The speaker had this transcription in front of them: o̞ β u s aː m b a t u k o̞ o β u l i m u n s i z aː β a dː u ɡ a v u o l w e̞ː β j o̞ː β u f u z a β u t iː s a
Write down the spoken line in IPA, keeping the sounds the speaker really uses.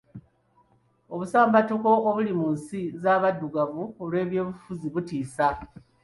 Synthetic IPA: o̞ β u s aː m b a t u k o̞ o β u l i m u n s i z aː β a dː u ɡ a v u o l w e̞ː β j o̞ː β u f u z i β u t iː s a